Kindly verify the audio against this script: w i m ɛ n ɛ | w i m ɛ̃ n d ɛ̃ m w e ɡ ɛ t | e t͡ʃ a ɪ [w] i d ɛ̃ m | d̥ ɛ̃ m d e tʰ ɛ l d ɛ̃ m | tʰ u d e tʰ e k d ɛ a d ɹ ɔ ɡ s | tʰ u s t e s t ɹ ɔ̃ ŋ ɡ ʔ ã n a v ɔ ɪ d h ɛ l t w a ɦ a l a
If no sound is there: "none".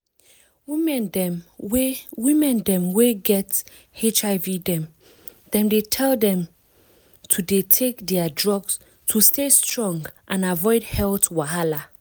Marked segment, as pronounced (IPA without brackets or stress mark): v